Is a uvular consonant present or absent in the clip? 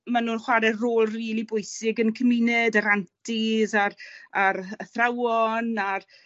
present